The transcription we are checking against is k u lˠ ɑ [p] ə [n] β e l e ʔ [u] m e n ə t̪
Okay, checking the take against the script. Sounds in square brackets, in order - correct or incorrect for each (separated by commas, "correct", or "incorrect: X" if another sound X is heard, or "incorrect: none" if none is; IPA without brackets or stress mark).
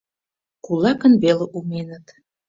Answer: incorrect: k, correct, correct